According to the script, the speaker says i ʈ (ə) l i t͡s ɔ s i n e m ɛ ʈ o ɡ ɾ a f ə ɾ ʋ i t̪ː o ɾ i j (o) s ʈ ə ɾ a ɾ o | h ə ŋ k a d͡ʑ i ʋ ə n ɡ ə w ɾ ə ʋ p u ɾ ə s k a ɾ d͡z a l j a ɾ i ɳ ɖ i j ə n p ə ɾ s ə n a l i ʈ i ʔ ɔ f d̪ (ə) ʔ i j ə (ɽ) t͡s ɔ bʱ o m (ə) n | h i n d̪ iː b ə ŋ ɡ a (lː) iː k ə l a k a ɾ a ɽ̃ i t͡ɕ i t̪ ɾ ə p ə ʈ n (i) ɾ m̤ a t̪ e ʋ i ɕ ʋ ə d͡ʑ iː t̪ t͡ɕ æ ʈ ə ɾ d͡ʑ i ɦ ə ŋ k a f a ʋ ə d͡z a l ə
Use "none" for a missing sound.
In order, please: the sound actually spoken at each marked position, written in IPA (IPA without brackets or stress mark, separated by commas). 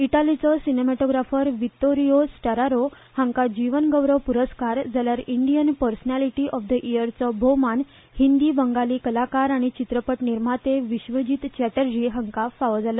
a, o, ə, ɾ, a, l, i